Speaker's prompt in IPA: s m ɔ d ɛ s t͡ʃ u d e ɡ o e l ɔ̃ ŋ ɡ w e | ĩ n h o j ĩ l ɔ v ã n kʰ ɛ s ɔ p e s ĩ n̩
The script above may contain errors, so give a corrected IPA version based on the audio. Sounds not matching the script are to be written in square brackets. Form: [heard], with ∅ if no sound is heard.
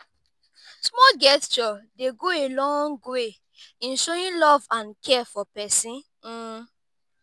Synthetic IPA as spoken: s m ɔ [ɡ] ɛ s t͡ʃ [ɔ] d e ɡ o e l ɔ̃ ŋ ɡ w e | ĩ n [ʃ] o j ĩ l ɔ v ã n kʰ ɛ [f] ɔ p [ɛ] s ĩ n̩